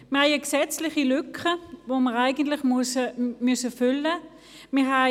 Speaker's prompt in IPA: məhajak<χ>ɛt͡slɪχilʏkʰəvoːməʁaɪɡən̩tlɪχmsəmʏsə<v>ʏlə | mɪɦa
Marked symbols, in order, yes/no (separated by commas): no, no